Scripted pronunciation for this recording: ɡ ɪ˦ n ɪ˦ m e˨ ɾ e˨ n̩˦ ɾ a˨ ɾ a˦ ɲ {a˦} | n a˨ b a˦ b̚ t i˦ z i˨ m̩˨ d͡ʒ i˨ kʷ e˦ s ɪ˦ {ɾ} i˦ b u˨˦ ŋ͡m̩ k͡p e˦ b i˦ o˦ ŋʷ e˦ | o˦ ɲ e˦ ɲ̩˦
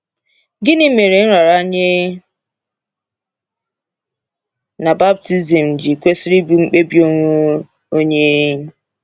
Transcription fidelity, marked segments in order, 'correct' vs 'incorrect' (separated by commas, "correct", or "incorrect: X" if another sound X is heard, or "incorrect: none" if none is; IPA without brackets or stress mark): incorrect: e˦, correct